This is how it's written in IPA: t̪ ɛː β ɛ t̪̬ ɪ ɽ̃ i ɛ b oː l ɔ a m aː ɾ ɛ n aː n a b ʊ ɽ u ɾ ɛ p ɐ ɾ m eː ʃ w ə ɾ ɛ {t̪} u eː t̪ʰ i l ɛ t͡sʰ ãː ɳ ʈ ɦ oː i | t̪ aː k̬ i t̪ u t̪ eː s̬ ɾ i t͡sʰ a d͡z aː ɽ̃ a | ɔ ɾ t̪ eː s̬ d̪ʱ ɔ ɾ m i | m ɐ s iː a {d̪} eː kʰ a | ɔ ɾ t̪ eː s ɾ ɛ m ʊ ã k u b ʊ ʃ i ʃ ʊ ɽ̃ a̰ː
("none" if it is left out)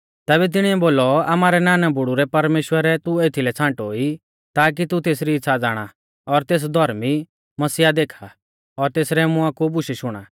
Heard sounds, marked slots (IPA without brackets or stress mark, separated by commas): t̪, d̪